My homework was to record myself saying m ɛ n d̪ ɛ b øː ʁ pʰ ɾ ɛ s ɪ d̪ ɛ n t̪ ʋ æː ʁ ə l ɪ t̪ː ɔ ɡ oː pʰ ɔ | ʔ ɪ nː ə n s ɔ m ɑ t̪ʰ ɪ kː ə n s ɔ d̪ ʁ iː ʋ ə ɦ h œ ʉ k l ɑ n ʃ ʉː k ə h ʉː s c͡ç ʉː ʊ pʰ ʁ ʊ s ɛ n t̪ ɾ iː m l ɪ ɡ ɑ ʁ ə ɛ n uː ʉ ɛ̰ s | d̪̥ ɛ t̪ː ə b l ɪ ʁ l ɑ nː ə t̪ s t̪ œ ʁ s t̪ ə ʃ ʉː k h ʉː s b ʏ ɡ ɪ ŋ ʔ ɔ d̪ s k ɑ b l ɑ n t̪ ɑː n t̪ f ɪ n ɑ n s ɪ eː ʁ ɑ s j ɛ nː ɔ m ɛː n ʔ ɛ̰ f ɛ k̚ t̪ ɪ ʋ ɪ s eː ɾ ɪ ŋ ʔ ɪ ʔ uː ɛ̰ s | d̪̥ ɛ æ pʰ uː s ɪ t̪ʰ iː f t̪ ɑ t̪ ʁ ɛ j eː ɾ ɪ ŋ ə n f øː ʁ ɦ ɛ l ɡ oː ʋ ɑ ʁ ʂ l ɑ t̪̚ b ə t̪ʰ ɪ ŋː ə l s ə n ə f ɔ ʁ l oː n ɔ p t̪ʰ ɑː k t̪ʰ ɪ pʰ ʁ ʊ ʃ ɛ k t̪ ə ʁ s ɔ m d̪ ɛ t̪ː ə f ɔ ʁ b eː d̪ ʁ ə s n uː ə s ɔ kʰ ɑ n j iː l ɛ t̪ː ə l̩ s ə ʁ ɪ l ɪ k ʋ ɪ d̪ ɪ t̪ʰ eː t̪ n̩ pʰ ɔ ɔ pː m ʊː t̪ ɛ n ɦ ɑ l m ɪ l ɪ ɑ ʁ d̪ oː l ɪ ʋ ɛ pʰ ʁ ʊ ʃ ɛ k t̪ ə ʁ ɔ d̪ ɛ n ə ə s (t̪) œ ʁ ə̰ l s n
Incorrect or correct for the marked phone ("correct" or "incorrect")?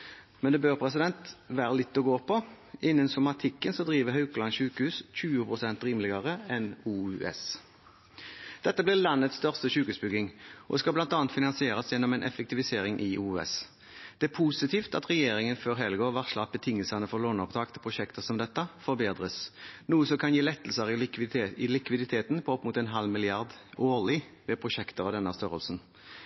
correct